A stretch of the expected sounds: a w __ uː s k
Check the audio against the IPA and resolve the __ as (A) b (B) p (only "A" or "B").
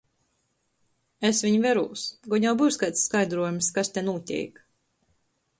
A